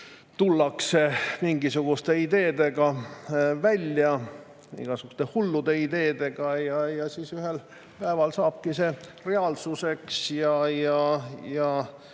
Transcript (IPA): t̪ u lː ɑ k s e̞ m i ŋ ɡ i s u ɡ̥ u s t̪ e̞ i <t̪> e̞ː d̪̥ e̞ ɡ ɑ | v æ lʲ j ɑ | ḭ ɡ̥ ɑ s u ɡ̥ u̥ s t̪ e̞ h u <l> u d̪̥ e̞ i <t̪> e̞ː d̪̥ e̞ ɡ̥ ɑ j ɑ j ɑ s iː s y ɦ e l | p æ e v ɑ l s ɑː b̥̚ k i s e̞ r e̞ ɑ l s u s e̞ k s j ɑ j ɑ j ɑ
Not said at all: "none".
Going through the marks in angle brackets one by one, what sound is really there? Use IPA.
d̪, lː, d̪

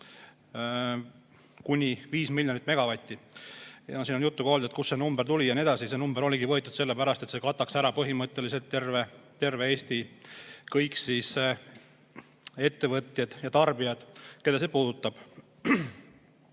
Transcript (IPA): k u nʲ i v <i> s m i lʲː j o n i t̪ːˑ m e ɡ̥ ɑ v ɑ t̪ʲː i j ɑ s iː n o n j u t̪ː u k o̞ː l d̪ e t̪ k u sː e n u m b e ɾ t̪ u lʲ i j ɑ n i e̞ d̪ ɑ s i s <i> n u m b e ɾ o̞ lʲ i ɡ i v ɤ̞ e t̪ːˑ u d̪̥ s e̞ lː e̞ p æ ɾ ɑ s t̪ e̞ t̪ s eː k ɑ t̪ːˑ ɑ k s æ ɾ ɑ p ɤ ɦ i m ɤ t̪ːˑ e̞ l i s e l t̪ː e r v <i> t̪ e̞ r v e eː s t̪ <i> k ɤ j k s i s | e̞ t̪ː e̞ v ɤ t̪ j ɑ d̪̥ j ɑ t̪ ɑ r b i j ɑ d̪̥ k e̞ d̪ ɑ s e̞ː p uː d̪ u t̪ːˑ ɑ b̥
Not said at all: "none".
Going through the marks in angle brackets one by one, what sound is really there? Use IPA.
iː, e, e, i

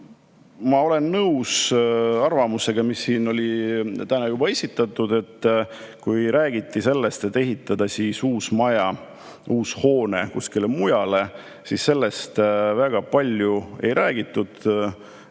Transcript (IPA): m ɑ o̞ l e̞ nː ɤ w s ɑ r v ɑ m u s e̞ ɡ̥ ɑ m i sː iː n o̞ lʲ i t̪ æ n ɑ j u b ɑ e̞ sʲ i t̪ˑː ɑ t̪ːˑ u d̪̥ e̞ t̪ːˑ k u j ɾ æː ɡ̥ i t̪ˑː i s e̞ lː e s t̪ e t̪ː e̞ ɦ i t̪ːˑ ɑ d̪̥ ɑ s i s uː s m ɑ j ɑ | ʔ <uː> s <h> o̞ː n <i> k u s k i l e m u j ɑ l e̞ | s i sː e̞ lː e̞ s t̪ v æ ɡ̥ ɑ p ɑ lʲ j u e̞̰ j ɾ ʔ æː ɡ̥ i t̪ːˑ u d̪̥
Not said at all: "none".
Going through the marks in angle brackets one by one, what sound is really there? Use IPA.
uː, h, e

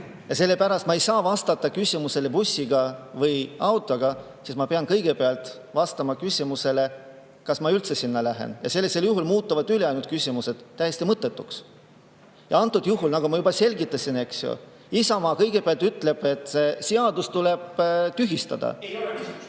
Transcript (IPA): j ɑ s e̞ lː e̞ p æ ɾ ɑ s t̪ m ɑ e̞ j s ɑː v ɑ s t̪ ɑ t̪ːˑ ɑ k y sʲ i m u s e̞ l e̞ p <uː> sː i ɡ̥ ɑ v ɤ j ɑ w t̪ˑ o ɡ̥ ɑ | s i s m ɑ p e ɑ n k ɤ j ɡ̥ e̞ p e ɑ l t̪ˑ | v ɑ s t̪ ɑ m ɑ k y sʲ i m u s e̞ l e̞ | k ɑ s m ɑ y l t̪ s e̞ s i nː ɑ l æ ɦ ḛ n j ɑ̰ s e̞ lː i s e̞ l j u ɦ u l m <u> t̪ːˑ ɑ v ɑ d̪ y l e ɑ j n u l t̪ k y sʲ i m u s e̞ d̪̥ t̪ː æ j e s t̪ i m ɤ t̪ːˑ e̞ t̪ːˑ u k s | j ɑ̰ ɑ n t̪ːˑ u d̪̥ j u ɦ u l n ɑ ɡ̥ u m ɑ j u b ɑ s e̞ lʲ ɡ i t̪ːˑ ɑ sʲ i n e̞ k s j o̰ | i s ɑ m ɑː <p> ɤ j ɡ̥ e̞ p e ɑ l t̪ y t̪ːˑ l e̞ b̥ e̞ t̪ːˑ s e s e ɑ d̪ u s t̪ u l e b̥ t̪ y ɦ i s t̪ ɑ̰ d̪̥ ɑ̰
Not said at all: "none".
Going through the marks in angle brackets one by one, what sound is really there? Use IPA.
u, uː, k

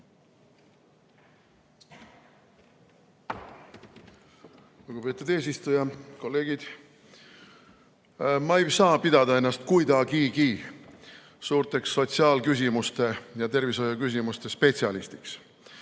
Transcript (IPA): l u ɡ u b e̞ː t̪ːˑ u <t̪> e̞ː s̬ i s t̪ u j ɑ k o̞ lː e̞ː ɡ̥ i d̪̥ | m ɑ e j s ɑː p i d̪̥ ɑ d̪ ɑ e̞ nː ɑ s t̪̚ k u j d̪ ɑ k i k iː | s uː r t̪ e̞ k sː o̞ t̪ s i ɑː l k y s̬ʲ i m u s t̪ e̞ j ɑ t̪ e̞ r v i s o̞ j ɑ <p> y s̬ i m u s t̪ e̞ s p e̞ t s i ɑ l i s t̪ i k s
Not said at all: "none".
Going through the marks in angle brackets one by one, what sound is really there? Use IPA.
d̪, k

